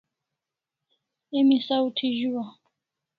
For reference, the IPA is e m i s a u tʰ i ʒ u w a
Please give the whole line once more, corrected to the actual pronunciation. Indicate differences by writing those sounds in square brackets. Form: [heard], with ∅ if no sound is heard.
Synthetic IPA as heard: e m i s a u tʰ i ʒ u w a